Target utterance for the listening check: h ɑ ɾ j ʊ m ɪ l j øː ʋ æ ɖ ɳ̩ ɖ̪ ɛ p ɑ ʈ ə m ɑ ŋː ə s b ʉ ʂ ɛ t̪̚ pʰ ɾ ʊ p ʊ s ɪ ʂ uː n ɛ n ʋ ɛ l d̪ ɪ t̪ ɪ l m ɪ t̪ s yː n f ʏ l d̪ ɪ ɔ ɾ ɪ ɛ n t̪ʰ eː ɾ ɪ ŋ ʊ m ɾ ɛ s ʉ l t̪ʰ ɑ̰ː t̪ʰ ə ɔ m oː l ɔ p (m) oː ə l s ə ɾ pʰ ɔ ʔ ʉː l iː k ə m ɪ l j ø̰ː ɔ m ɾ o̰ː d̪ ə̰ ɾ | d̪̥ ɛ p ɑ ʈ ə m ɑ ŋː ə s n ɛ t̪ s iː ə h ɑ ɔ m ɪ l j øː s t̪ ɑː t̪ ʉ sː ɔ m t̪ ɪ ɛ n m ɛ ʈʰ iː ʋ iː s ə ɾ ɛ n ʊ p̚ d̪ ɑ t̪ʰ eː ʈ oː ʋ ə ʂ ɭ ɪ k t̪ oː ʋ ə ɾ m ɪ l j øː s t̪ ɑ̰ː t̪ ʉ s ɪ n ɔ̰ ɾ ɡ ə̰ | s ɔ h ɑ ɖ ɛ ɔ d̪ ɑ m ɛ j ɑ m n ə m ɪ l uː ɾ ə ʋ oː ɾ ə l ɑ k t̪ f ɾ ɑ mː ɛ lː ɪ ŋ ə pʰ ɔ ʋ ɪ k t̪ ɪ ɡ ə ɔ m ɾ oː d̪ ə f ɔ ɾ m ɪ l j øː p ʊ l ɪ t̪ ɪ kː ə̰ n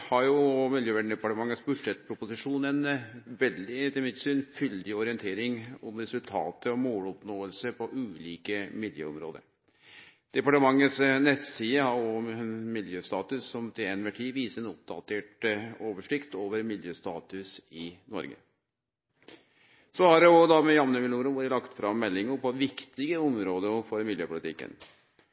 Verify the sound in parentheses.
incorrect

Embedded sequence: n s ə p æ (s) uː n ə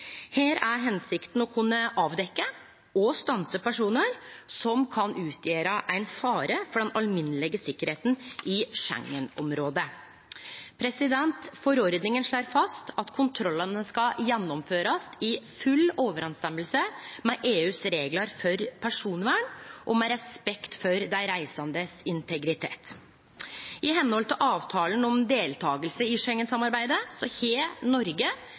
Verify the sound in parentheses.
incorrect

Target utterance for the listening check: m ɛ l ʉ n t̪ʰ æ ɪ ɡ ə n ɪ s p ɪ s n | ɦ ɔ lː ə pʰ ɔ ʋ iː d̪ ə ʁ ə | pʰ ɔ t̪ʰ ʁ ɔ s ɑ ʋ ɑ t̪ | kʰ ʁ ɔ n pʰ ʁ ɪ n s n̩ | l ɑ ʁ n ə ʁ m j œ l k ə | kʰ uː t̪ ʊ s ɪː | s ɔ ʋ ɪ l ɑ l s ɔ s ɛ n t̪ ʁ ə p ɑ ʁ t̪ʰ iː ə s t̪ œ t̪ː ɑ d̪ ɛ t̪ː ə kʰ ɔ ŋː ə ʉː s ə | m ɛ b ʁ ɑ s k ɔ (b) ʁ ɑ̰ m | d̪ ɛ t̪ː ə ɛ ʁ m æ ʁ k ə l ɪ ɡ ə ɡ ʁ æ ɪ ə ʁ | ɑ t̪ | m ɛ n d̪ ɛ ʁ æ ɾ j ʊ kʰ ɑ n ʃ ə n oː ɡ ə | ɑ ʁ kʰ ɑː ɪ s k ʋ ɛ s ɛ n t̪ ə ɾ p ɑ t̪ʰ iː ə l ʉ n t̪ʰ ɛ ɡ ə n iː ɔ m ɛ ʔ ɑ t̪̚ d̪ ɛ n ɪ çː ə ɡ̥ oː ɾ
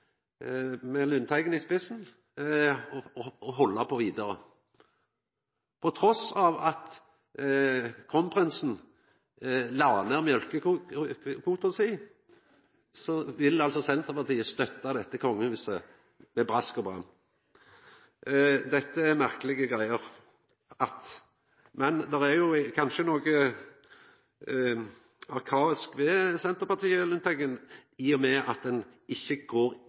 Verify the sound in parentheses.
correct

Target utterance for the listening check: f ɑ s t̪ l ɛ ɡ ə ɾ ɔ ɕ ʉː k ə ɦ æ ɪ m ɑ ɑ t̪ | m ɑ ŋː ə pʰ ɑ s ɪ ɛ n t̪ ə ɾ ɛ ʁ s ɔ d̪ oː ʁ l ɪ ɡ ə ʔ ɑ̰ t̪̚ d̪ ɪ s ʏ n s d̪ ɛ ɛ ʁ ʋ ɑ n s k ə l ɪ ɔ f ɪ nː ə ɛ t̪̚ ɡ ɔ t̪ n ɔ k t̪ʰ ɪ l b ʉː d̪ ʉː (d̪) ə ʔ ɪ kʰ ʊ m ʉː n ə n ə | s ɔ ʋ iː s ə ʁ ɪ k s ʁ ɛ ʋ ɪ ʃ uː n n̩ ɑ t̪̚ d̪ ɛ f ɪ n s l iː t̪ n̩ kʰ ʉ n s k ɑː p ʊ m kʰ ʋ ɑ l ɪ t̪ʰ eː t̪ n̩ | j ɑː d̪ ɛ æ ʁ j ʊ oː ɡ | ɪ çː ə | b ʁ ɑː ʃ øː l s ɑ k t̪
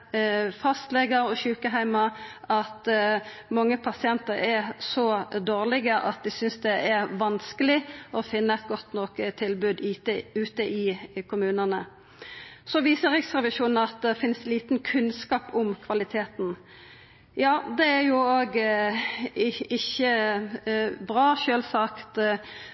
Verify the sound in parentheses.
incorrect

